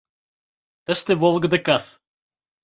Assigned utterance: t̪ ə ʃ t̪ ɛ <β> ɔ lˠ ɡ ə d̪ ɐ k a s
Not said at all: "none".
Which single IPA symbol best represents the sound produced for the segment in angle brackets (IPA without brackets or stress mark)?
v